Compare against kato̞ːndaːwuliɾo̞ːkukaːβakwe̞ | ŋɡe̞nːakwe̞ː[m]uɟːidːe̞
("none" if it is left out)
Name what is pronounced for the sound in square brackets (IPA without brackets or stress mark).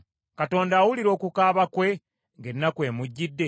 m